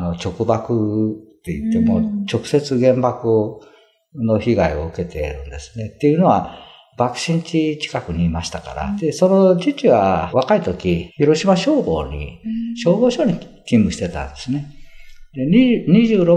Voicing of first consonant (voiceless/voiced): voiced